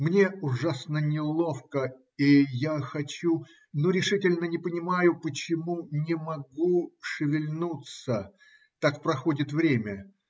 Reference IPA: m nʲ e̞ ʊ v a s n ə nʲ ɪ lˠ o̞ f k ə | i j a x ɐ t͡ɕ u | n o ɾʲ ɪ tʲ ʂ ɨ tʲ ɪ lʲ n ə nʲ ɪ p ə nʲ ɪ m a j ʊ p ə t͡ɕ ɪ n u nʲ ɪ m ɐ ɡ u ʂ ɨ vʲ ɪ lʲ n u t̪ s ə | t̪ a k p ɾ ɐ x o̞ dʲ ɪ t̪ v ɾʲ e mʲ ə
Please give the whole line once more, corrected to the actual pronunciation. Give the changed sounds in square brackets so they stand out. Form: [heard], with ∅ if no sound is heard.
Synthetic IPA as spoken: m nʲ e̞ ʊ [ʐ] a s n ə nʲ ɪ lˠ o̞ f k ə | i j a x ɐ t͡ɕ u | n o ɾʲ ɪ [∅] ʂ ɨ tʲ ɪ lʲ n ə nʲ ɪ p ə nʲ ɪ m a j ʊ p ə t͡ɕ ɪ [m] u nʲ ɪ m ɐ ɡ u ʂ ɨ vʲ ɪ lʲ n u t̪ s ə | t̪ a k p ɾ ɐ x o̞ dʲ ɪ t̪ v ɾʲ e mʲ ə